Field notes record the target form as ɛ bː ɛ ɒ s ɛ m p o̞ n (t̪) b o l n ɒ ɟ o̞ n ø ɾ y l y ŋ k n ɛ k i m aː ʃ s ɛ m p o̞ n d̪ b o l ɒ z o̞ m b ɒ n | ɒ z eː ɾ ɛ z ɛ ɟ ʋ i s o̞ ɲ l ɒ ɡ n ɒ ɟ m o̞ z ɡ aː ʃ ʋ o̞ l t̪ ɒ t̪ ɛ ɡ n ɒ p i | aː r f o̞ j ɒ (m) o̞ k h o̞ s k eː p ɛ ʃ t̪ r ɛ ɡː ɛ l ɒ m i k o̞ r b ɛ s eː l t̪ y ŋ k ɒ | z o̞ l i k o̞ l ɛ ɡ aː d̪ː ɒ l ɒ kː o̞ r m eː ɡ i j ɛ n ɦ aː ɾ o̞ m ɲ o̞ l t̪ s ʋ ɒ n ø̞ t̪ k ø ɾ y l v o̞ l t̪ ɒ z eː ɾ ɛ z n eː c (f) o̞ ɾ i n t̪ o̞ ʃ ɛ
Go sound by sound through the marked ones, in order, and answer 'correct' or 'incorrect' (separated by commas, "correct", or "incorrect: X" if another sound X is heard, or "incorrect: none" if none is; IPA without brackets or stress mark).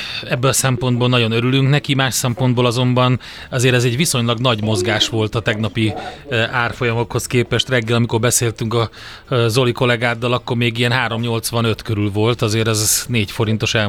incorrect: d̪, correct, correct